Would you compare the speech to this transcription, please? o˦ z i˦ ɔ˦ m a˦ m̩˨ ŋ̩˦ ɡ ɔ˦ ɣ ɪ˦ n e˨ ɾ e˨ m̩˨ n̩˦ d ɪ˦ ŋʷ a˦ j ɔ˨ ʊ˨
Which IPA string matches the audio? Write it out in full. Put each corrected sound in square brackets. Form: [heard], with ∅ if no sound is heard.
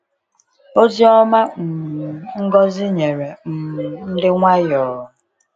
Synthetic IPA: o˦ z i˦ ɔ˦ m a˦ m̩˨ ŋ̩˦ ɡ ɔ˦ [z] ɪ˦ [ɲ] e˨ ɾ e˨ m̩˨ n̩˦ d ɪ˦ ŋʷ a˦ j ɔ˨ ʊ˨